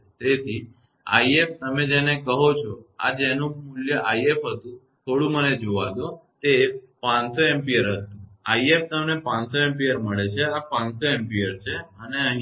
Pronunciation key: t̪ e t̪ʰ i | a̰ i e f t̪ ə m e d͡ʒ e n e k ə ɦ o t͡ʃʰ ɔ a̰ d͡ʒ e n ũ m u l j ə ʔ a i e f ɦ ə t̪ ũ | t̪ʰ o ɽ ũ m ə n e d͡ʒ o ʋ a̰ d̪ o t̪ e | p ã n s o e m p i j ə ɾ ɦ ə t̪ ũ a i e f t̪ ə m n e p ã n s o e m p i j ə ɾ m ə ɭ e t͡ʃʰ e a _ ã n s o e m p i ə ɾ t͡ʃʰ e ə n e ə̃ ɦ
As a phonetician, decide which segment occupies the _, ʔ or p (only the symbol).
p